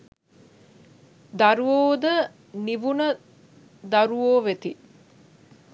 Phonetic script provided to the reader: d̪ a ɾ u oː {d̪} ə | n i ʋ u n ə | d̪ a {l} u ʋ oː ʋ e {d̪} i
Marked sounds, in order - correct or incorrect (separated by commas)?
correct, incorrect, incorrect